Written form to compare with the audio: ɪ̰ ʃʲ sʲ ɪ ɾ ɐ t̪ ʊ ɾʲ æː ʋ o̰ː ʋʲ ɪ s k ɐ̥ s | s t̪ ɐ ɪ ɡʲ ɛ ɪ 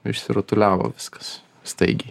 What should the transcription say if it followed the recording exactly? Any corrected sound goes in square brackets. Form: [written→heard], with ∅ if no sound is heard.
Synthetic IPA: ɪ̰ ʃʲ sʲ ɪ ɾ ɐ t̪ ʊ [ɾʲ→lʲ] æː ʋ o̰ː ʋʲ ɪ s k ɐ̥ s | s t̪ ɐ ɪ ɡʲ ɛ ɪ

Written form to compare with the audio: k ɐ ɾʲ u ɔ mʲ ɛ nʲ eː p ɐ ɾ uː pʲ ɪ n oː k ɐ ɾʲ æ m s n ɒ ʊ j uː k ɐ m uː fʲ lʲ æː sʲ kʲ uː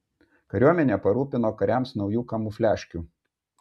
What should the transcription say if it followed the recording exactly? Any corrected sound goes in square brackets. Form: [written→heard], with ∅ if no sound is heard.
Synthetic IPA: k ɐ ɾʲ u ɔ mʲ ɛ nʲ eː p ɐ ɾ uː pʲ ɪ n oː k ɐ ɾʲ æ m s n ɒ ʊ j uː k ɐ m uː fʲ lʲ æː [sʲ→ʃʲ] kʲ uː

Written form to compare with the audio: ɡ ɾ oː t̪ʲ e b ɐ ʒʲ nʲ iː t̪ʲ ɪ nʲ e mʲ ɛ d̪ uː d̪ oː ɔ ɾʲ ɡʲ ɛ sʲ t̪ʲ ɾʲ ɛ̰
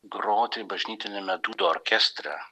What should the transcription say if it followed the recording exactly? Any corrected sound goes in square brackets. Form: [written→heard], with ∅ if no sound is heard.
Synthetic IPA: ɡ ɾ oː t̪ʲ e b ɐ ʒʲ nʲ iː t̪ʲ ɪ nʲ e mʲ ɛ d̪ uː d̪ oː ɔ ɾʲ [ɡʲ→kʲ] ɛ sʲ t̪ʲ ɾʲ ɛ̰

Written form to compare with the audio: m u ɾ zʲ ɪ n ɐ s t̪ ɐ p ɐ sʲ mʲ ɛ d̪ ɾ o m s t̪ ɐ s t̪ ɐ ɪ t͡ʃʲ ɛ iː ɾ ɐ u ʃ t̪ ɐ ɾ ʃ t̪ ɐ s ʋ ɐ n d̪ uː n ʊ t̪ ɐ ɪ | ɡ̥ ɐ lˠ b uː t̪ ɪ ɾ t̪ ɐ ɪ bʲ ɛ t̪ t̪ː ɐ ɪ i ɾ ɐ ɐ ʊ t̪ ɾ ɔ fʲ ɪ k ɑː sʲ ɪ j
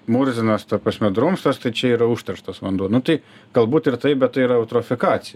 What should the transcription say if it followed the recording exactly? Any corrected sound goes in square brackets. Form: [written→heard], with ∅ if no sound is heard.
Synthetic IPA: m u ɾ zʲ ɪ n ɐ s t̪ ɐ p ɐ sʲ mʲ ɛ d̪ ɾ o m s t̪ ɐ s t̪ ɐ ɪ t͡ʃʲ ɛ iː ɾ ɐ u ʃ t̪ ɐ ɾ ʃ t̪ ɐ s ʋ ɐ n d̪ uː n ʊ t̪ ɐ ɪ | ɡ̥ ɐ lˠ b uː t̪ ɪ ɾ t̪ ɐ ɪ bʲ ɛ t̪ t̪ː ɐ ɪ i ɾ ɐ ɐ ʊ t̪ ɾ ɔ fʲ ɪ k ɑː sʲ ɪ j

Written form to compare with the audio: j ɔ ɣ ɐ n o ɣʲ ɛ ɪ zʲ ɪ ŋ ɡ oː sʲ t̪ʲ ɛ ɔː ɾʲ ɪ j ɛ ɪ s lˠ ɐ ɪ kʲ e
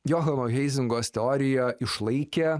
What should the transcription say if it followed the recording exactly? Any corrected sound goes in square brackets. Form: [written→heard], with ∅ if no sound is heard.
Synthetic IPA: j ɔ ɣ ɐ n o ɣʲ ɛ ɪ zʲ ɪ ŋ ɡ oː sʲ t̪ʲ ɛ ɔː ɾʲ ɪ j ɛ ɪ [s→ʃ] lˠ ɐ ɪ kʲ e

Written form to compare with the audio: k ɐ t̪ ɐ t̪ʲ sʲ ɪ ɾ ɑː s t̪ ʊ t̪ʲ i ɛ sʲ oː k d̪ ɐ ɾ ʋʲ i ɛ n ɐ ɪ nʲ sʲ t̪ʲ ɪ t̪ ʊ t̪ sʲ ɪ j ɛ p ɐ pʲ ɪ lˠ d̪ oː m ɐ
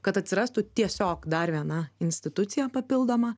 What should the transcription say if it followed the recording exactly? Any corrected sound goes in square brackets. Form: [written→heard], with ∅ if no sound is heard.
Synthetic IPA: k ɐ t̪ ɐ t̪ʲ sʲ ɪ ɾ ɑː s t̪ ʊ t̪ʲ i ɛ sʲ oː k d̪ ɐ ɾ ʋʲ i ɛ n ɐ ɪ nʲ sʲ t̪ʲ ɪ t̪ ʊ t̪ sʲ ɪ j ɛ p ɐ pʲ ɪ lˠ d̪ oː m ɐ

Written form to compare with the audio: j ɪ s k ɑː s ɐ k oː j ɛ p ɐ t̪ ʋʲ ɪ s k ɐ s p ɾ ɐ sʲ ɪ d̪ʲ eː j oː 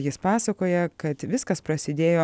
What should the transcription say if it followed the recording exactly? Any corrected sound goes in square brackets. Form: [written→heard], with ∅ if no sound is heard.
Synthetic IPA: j ɪ s [k→p] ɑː s ɐ k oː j ɛ [p→k] ɐ t̪ ʋʲ ɪ s k ɐ s p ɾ ɐ sʲ ɪ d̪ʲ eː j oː

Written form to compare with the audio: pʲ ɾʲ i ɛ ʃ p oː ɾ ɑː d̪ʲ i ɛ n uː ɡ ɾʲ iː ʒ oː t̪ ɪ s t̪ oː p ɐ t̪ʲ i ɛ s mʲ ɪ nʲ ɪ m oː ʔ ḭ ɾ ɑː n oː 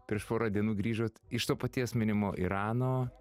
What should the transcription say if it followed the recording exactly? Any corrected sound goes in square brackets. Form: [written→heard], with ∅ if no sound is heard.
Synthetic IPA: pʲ ɾʲ i ɛ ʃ p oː ɾ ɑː d̪ʲ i ɛ n uː ɡ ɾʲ iː ʒ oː t̪ ɪ [s→ʃ] t̪ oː p ɐ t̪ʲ i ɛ s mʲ ɪ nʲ ɪ m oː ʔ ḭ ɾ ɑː n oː

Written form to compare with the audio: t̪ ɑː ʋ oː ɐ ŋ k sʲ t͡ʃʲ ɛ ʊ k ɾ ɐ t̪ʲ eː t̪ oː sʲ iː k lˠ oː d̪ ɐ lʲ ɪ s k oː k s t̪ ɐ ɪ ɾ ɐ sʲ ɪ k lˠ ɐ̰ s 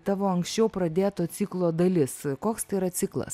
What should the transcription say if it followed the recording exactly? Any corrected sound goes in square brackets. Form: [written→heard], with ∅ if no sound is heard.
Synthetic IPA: t̪ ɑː ʋ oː ɐ ŋ k sʲ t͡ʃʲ ɛ ʊ [k→p] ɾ ɐ [t̪ʲ→d̪ʲ] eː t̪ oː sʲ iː k lˠ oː d̪ ɐ lʲ ɪ s k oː k s t̪ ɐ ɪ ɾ ɐ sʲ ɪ k lˠ ɐ̰ s

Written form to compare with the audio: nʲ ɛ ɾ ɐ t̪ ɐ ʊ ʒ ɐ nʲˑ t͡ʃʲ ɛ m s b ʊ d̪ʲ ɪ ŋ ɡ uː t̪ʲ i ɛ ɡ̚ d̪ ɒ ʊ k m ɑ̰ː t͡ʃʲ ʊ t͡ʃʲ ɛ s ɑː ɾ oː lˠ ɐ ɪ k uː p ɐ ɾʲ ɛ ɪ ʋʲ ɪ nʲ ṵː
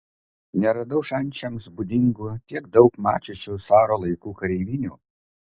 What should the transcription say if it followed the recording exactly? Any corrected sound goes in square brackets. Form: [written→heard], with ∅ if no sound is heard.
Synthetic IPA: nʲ ɛ ɾ ɐ [t̪→d̪] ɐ ʊ [ʒ→ʃ] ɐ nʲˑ t͡ʃʲ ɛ m s b ʊ d̪ʲ ɪ ŋ ɡ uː t̪ʲ i ɛ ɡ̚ d̪ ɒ ʊ k m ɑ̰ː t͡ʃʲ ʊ t͡ʃʲ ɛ s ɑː ɾ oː lˠ ɐ ɪ k uː [p→k] ɐ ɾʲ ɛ ɪ ʋʲ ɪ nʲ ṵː

